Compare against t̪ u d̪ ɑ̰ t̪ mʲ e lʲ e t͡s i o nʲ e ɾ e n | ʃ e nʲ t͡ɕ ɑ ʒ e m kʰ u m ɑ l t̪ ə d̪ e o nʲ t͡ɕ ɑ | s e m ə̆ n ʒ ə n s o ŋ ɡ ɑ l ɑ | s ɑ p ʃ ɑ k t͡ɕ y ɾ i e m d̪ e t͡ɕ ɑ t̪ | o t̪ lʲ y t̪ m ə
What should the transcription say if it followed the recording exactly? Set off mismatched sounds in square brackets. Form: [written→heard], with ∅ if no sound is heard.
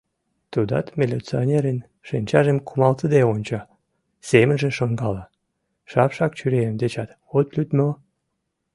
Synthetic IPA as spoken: t̪ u d̪ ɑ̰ t̪ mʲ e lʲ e t͡s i o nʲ e ɾ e n | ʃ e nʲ t͡ɕ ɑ ʒ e m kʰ u m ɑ l t̪ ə d̪ e o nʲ t͡ɕ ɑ | s e m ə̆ n ʒ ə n [s→ʃ] o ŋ ɡ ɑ l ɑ | [s→ʃ] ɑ p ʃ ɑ k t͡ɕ y ɾ [i→e] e m d̪ e t͡ɕ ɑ t̪ | o t̪ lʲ y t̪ m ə